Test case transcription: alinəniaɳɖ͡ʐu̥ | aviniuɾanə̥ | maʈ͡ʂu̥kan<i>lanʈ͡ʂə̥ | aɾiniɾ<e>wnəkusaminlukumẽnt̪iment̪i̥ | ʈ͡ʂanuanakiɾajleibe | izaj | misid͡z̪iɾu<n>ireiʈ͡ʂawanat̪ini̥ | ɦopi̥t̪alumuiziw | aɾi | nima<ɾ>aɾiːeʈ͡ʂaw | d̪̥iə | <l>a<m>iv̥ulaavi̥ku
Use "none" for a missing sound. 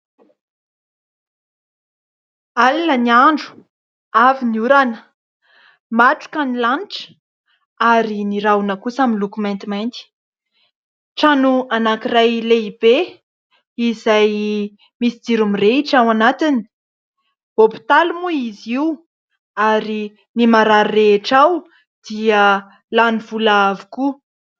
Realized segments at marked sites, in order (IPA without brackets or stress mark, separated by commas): i, a, m, ɾ, l, n